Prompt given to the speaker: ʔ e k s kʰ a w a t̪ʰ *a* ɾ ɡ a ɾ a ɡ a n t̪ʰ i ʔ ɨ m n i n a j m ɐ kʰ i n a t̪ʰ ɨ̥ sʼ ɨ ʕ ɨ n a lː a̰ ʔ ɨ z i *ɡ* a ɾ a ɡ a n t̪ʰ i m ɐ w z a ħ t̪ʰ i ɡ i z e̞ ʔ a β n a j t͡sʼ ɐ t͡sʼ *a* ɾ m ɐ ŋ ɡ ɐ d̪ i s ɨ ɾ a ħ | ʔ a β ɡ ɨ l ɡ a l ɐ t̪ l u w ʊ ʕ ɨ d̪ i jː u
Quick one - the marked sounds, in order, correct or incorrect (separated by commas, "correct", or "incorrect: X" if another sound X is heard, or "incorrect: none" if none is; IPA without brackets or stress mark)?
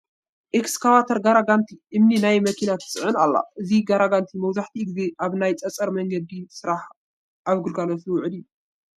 incorrect: ɐ, correct, incorrect: ɐ